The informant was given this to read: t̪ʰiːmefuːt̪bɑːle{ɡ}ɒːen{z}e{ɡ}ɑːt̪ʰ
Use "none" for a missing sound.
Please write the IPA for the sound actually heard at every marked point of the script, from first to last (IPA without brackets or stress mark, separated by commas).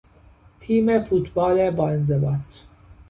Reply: b, z, b